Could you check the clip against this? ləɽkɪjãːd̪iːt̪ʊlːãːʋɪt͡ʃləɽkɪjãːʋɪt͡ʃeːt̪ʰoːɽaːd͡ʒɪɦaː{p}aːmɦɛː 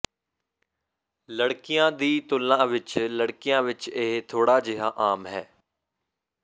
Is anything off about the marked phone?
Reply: yes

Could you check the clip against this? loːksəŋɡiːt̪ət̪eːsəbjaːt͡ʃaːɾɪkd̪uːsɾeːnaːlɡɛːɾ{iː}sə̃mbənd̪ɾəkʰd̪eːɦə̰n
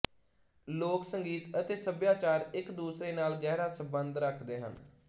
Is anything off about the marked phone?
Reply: yes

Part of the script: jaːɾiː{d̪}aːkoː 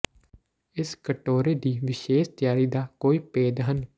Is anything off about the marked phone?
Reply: no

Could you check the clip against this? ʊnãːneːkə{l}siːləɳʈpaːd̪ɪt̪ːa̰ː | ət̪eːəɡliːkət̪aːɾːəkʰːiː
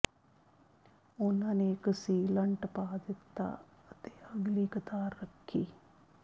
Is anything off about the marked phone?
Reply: yes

